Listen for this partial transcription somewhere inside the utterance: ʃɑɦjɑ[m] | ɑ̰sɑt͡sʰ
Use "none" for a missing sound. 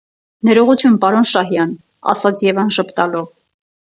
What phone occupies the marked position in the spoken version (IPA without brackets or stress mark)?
n